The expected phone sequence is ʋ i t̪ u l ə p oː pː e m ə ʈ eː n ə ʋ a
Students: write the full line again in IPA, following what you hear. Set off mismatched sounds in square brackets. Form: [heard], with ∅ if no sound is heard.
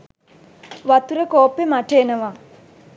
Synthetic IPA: ʋ [a] t̪ u [ɾ] ə [k] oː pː e m [a] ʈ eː n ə ʋ a